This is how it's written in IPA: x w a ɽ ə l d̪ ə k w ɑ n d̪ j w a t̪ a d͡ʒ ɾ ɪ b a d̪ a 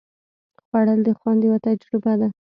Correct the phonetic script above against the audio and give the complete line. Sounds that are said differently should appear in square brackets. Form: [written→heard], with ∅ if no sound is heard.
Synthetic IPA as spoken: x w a ɽ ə l d̪ ə [k→x] w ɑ n d̪ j w a t̪ a d͡ʒ ɾ ɪ b a d̪ a